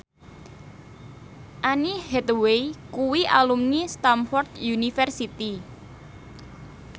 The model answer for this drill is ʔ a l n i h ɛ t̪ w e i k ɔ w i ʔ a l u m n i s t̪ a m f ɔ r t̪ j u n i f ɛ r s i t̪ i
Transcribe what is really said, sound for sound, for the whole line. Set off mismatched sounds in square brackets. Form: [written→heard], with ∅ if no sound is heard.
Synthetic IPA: ʔ a [l→∅] n i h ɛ t̪ w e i k [ɔ→u] w i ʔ a l u m n i s t̪ a m f ɔ r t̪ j u n i f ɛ r s i t̪ i